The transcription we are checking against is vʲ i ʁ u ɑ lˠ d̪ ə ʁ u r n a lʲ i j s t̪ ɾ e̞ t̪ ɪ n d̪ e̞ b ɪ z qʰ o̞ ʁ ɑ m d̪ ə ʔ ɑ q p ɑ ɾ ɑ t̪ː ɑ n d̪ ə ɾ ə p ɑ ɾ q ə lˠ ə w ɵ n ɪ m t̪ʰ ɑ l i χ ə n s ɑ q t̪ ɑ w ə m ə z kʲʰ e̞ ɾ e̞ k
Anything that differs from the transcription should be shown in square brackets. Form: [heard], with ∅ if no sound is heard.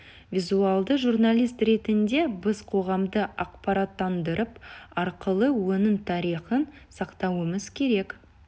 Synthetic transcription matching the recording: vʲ i [z] u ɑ lˠ d̪ ə [ʒ] u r n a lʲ i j s t̪ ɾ e̞ t̪ ɪ n d̪ e̞ b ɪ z qʰ o̞ ʁ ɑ m d̪ ə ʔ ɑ q p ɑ ɾ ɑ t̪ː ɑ n d̪ ə ɾ ə p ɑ ɾ q ə lˠ ə w ɵ n ɪ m t̪ʰ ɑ [ɾ] i χ ə n s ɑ q t̪ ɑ w ə m ə z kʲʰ e̞ ɾ e̞ k